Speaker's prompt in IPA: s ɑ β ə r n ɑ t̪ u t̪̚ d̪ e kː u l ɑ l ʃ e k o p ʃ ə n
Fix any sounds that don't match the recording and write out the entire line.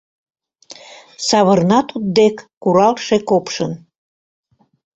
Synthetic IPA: s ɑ β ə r n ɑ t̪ u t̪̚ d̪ e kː u ɾ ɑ l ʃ e k o p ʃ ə n